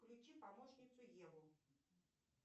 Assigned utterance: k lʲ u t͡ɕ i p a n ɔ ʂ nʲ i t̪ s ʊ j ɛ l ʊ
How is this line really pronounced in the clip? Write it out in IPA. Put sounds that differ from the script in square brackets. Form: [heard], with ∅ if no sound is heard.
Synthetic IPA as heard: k lʲ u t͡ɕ i p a [m] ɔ ʂ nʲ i t̪ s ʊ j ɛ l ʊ